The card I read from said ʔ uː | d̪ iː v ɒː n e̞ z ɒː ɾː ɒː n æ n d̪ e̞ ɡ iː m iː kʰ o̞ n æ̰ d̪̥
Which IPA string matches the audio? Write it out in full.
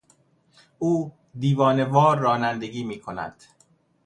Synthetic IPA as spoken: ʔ uː | d̪ iː v ɒː n e̞ v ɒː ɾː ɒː n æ n d̪ e̞ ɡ iː m iː kʰ o̞ n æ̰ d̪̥